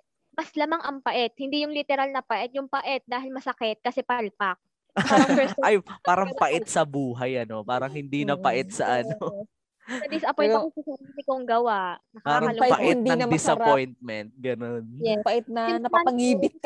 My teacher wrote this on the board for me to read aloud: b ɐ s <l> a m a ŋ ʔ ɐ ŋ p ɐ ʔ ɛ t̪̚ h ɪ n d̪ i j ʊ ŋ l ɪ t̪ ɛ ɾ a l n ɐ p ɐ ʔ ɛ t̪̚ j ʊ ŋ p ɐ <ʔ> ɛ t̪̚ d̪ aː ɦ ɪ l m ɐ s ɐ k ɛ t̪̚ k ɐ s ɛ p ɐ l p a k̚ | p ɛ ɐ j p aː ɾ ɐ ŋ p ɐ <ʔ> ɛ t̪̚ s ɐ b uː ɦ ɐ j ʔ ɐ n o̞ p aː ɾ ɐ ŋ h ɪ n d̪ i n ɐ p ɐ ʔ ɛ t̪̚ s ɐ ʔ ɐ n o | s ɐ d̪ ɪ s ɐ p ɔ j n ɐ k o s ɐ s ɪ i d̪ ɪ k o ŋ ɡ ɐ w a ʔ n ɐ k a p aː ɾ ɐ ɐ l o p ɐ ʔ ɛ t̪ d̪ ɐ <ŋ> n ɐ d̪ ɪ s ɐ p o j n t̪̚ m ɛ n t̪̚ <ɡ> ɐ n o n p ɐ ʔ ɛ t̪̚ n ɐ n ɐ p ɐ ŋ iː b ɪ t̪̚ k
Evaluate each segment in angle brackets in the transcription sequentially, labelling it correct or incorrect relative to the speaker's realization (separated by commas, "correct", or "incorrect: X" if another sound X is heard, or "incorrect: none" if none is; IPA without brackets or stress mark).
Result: correct, correct, correct, correct, correct